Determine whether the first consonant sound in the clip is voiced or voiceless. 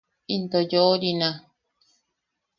voiced